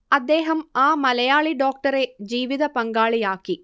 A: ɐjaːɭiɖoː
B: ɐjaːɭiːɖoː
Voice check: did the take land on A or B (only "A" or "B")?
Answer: A